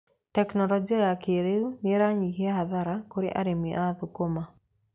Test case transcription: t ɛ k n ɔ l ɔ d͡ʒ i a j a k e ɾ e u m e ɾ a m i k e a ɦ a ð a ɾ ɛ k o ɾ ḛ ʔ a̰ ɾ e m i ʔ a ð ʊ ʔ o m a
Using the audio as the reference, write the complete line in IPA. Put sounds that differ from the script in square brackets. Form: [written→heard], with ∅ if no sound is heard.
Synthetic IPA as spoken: t ɛ k n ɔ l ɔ d͡ʒ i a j a k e ɾ e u [m→n] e ɾ a [m→ɲ] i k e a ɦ a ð a ɾ [ɛ→a] k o ɾ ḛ ʔ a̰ ɾ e m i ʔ a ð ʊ [ʔ→k] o m a